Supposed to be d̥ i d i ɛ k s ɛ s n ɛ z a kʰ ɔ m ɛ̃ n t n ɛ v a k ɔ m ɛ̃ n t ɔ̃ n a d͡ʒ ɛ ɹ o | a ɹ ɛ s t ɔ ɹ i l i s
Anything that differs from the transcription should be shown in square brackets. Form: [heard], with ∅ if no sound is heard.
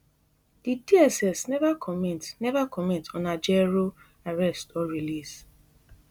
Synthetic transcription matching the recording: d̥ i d i ɛ [∅] s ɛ s n ɛ [v] a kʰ ɔ m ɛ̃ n t n ɛ v a k ɔ m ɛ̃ n t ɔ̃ n a d͡ʒ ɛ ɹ o | a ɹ ɛ s t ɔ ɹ i l i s